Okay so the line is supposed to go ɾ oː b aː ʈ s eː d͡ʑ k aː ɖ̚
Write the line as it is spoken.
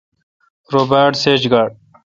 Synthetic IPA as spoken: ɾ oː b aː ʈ s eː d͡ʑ ɡ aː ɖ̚